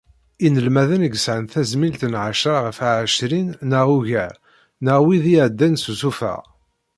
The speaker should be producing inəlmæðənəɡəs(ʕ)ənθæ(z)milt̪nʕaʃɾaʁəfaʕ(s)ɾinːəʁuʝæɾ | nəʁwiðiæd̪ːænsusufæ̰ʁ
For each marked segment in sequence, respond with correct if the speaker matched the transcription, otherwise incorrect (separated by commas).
correct, correct, incorrect